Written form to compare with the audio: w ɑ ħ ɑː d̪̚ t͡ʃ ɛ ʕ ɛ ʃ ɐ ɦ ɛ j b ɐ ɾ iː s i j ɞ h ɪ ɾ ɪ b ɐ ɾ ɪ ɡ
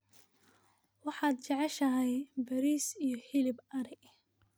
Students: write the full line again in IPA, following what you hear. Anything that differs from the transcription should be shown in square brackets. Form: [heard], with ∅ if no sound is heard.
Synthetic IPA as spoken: w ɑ ħ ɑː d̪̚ t͡ʃ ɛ ʕ ɛ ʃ ɐ ɦ ɛ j b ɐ ɾ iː s i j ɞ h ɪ [l] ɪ b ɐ ɾ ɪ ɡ